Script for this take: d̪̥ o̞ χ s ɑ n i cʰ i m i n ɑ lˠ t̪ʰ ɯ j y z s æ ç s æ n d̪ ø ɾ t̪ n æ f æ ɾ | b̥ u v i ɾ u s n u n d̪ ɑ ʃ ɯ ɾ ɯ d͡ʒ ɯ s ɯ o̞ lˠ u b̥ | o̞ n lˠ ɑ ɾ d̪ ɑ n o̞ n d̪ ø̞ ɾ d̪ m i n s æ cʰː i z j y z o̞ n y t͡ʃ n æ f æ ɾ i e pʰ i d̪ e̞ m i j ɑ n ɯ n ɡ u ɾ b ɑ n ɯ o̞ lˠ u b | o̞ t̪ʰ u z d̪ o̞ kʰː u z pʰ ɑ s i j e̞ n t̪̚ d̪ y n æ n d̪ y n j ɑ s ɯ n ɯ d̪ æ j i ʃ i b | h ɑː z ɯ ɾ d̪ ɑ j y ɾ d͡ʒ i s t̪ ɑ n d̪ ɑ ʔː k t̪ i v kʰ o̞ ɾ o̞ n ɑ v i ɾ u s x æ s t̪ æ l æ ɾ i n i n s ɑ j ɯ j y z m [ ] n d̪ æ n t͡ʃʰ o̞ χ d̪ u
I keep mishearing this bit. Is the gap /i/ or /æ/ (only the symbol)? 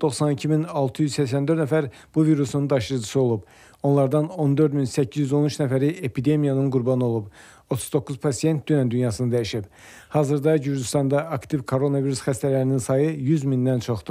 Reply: i